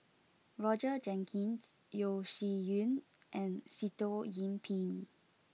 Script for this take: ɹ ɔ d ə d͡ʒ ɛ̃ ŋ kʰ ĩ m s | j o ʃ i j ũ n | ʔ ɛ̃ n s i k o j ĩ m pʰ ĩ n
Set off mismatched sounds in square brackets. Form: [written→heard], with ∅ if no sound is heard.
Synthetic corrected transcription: ɹ ɔ [d→d͡ʒ] ə d͡ʒ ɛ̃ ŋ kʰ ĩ [m→n] s | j o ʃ i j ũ n | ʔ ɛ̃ n s i [k→t] o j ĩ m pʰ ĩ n

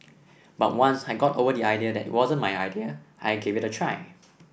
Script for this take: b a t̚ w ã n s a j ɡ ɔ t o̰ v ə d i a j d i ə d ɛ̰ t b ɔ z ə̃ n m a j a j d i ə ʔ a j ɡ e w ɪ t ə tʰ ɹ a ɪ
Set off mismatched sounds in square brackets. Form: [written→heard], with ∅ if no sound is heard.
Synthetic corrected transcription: b a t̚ w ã n s a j ɡ ɔ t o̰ v ə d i a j d i ə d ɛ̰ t [b→w] ɔ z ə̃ n m a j a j d i ə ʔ a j ɡ e [w→v] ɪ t ə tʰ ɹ a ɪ

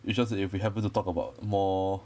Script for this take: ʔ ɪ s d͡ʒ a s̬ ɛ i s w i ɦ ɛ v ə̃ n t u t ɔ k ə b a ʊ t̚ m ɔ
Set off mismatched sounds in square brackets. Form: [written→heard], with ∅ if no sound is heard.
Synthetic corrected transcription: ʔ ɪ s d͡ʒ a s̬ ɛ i [s→f] w i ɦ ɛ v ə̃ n t u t ɔ k ə b a ʊ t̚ m ɔ

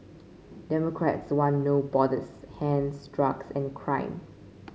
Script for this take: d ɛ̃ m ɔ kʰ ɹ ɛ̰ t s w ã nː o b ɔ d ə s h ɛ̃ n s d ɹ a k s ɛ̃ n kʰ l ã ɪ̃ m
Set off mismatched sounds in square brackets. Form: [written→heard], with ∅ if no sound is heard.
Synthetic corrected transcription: d [ɛ̃→ɛ] m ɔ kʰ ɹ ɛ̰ t s w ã nː o b ɔ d ə s h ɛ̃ n s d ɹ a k s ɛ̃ n kʰ [l→ɹ] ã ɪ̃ m

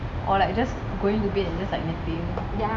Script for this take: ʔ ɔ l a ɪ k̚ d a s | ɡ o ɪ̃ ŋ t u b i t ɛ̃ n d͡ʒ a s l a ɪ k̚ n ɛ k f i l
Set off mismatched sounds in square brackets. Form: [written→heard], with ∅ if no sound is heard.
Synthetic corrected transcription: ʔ ɔ l a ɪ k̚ [d→d͡ʒ] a s | ɡ o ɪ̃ ŋ t u b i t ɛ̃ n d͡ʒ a s l a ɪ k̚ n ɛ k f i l

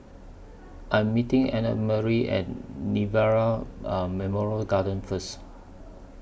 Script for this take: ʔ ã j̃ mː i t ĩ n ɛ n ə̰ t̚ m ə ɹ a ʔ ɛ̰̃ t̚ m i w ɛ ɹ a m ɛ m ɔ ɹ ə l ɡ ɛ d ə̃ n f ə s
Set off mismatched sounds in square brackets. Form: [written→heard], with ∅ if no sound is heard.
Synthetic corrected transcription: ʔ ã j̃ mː i t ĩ [n→ŋ] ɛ n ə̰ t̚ m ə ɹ [a→i] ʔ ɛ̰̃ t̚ [m→n] i [w→v] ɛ ɹ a m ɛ m ɔ ɹ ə l ɡ [ɛ→a] d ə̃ n f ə s

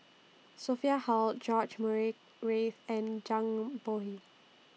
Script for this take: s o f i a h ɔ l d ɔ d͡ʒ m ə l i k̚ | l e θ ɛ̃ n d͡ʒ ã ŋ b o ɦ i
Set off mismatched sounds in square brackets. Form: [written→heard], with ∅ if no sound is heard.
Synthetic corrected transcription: s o f i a h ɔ l [d→d͡ʒ] ɔ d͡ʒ m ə [l→ɹ] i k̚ | [l→ɹ] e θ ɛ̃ n d͡ʒ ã ŋ b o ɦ i

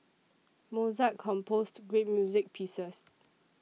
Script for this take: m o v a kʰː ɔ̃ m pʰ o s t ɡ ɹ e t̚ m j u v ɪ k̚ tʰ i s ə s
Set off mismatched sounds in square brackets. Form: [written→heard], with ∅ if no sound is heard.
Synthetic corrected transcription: m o [v→z] a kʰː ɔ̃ m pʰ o s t ɡ ɹ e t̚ m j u [v→z] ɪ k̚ [tʰ→pʰ] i s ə s

